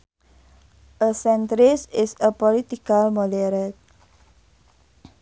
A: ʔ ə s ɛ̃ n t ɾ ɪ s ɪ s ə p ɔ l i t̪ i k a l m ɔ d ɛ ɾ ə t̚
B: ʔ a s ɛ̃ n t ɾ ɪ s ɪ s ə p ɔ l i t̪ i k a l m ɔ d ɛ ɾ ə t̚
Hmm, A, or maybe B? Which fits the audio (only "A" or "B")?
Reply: A